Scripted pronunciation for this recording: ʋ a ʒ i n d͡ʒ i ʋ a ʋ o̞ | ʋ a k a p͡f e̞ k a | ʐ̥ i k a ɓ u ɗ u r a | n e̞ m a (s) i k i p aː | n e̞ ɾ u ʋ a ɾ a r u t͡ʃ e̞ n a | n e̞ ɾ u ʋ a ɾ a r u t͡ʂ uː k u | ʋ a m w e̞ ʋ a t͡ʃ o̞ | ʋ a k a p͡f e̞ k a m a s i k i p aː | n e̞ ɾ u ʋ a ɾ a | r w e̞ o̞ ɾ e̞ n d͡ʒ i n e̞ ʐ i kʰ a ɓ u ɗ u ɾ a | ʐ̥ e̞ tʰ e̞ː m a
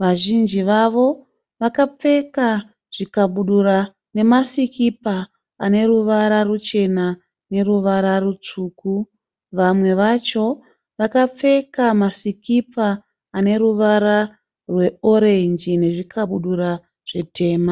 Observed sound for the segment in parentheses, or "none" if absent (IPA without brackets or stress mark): s